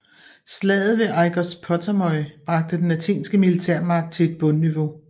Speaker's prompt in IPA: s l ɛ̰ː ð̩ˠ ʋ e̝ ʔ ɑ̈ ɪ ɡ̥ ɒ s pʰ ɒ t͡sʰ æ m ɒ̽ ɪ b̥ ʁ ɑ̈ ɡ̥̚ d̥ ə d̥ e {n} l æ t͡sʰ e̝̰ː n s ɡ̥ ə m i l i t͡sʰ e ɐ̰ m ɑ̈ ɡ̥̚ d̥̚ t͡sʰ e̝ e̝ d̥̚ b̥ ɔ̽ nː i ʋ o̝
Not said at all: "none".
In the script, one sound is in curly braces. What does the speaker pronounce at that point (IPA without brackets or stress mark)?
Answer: n